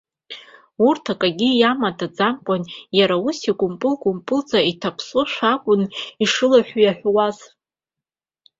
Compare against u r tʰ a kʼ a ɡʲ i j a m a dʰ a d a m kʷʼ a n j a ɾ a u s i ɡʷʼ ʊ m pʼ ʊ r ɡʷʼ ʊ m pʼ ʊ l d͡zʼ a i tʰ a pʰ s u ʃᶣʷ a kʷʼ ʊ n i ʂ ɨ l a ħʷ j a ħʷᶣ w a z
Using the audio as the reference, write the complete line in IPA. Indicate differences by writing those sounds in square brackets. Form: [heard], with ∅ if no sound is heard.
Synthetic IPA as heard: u r tʰ a kʼ a ɡʲ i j a m a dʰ a [d͡z] a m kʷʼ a n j a ɾ a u s i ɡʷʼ ʊ m pʼ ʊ [l] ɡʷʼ ʊ m pʼ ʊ l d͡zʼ a i tʰ a pʰ s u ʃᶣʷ a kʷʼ ʊ n i ʂ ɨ l a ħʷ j a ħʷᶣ w a z